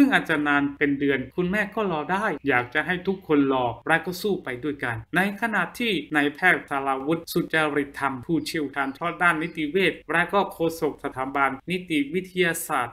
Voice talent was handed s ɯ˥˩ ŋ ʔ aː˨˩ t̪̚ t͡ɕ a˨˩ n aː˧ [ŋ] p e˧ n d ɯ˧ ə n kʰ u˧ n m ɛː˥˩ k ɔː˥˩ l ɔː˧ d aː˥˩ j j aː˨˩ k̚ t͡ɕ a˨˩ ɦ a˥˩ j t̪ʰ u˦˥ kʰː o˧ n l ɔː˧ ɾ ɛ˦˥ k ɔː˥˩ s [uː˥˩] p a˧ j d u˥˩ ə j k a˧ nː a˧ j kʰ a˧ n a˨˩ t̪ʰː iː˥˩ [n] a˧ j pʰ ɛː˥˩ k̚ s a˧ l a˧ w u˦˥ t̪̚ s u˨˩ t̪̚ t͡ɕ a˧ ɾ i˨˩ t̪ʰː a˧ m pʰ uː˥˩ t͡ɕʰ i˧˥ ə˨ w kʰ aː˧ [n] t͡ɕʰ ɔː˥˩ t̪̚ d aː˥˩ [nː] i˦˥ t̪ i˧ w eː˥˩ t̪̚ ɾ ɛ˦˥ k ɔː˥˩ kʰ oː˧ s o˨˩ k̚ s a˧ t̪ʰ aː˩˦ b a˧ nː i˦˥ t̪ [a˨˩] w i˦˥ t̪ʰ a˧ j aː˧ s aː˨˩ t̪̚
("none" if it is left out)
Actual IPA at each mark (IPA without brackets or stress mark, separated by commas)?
n, uː˥˩, n, n, nː, i˨˩